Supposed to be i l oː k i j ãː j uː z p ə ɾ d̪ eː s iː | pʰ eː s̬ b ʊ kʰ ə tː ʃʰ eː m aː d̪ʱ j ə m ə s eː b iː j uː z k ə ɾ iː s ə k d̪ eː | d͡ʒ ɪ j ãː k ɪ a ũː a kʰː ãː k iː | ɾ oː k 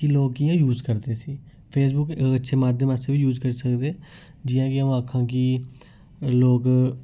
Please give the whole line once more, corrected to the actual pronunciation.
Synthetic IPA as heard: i l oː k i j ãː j uː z k ə ɾ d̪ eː s iː | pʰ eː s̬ b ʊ k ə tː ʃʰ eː m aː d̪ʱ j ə m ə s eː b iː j uː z k ə ɾ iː s ə k d̪ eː | d͡ʒ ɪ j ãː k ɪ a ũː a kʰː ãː k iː | l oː k